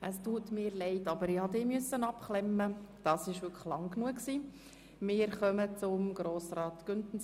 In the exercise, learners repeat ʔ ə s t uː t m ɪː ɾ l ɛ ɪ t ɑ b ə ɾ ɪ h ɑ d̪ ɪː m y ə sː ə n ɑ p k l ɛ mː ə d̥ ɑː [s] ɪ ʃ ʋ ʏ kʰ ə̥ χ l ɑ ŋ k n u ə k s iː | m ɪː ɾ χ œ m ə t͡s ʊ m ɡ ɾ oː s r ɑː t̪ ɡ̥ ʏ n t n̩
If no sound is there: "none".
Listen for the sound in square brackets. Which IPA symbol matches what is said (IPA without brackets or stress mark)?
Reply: s